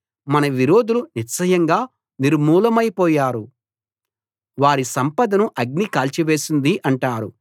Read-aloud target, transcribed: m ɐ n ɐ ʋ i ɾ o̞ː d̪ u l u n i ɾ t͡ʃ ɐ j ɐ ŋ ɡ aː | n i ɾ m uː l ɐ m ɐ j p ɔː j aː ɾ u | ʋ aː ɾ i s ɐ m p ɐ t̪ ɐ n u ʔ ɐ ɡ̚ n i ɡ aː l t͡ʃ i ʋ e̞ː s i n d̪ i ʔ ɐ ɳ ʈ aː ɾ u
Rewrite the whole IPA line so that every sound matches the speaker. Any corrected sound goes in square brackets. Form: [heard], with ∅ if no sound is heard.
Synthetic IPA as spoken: m ɐ n ɐ ʋ i ɾ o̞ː d̪ u l u n i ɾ t͡ʃ ɐ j ɐ ŋ ɡ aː | n i ɾ m uː l ɐ m ɐ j p ɔː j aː ɾ u | ʋ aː ɾ i s ɐ m p ɐ [d̪] ɐ n u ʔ ɐ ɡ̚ n i [k] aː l t͡ʃ i ʋ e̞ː s i n d̪ i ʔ ɐ ɳ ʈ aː ɾ u

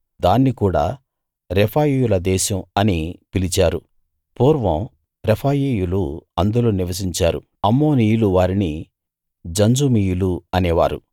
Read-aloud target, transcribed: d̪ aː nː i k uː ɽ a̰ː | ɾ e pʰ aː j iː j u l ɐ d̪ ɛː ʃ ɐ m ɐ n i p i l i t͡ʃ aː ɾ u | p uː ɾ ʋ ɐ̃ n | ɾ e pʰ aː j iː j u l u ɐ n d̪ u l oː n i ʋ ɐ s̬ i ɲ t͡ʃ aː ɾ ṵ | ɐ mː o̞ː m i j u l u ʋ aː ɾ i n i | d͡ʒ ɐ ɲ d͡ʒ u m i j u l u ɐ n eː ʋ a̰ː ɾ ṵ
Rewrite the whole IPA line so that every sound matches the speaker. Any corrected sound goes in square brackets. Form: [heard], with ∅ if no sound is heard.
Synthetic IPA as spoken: d̪ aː nː i k uː ɽ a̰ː | ɾ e pʰ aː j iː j u l ɐ d̪ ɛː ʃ ɐ m ɐ n i p i l i t͡ʃ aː ɾ u | p uː ɾ ʋ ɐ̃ [m] | ɾ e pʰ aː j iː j u l u ɐ n d̪ u l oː n i ʋ ɐ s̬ i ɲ t͡ʃ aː ɾ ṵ | ɐ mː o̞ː [n] i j u l u ʋ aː ɾ i n i | d͡ʒ ɐ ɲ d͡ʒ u m i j u l u ɐ n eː ʋ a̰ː ɾ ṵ

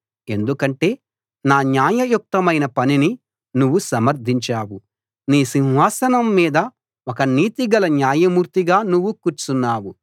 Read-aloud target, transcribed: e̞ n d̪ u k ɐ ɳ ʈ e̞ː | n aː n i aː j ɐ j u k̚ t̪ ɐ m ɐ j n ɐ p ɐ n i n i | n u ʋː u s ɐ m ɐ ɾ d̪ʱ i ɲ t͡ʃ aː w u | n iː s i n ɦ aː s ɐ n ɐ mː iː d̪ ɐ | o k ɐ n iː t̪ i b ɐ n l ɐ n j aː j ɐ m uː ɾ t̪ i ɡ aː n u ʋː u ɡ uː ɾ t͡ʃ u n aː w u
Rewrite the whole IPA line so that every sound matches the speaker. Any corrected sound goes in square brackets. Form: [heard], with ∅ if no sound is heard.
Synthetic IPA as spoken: e̞ n d̪ u k ɐ ɳ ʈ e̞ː | n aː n [j] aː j ɐ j u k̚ t̪ ɐ m ɐ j n ɐ p ɐ n i n i | n u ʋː u s ɐ m ɐ ɾ d̪ʱ i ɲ t͡ʃ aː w u | n iː s i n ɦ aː s ɐ n ɐ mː iː d̪ ɐ | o k ɐ n iː t̪ i [ɡ] ɐ [∅] l ɐ n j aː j ɐ m uː ɾ t̪ i ɡ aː n u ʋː u [k] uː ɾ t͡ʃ u [nː] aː w u

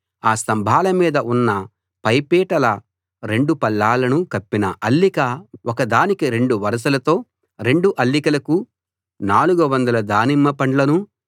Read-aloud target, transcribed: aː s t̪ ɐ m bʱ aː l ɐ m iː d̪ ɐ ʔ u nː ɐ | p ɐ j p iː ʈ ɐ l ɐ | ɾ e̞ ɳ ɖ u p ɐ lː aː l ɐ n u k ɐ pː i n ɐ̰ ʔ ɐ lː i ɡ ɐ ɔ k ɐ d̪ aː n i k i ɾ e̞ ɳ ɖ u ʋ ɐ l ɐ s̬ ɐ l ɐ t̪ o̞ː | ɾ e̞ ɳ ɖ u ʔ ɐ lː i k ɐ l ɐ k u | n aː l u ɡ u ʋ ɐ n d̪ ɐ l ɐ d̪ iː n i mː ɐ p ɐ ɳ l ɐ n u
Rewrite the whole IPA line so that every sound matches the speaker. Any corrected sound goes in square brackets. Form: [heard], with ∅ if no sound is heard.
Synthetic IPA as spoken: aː s t̪ ɐ m bʱ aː l ɐ m iː d̪ ɐ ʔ u nː ɐ | p ɐ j p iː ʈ ɐ l ɐ | ɾ e̞ ɳ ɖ u p ɐ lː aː l ɐ n u k ɐ pː i n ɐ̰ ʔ ɐ lː i [k] ɐ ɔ k ɐ d̪ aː n i k i ɾ e̞ ɳ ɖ u ʋ ɐ [ɾ] ɐ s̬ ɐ l ɐ t̪ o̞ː | ɾ e̞ ɳ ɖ u ʔ ɐ lː i k ɐ l ɐ k u | n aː l u ɡ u ʋ ɐ n d̪ ɐ l ɐ d̪ [aː] n i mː ɐ p ɐ ɳ l ɐ n u

